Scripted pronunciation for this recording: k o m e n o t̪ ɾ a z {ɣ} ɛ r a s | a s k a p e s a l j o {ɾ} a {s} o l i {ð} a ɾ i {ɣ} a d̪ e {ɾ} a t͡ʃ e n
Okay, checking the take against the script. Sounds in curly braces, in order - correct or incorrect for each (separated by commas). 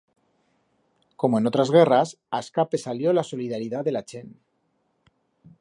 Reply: correct, incorrect, correct, correct, incorrect, incorrect